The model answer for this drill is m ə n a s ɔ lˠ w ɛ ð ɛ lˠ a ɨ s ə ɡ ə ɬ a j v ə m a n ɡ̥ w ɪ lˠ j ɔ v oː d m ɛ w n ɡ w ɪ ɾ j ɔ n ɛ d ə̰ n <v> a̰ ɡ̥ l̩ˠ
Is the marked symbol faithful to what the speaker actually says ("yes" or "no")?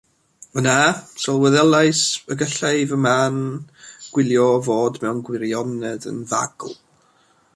yes